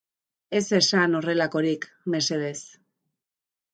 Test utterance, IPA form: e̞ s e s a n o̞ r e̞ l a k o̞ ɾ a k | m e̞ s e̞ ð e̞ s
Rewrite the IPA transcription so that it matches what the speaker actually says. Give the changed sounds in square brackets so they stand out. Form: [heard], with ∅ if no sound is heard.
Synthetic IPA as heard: e̞ s e s a n o̞ r e̞ l a k o̞ ɾ [i] k | m e̞ s e̞ ð e̞ s